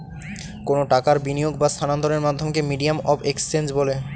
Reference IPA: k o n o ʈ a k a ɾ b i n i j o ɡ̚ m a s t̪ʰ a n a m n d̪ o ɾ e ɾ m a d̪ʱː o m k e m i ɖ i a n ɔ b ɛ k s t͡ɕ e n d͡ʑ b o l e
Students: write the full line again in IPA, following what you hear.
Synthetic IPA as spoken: k o n o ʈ a k a ɾ b i n i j o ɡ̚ b a s t̪ʰ a n a n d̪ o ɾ e ɾ m a d̪ʱː o m k e m i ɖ i a m ɔ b e k s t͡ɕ e n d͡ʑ b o l e